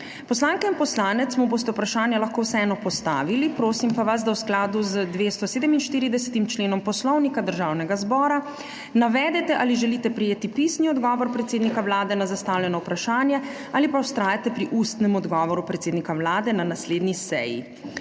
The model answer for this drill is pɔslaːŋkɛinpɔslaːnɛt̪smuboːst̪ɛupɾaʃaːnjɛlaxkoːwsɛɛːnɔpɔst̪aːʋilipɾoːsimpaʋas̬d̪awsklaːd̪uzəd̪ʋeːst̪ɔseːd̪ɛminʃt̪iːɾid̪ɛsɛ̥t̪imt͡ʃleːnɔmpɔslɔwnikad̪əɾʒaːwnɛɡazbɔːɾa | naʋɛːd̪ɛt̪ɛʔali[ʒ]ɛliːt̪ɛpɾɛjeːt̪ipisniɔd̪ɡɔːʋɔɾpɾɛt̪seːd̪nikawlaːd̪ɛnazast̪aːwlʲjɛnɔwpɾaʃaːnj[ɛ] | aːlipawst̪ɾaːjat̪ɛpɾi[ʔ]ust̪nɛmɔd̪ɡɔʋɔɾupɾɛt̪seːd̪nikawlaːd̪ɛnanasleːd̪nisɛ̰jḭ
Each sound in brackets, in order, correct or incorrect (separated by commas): correct, correct, correct